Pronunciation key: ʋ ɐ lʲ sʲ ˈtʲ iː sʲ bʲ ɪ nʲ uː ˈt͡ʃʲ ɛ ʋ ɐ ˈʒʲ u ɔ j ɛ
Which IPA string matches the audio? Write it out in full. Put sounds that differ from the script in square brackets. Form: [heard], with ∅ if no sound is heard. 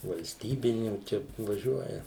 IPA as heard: ʋ ɐ lʲ sʲ ˈtʲ iː [∅] bʲ ɪ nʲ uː ˈt͡ʃʲ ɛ ʋ ɐ ˈʒʲ u ɔ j ɛ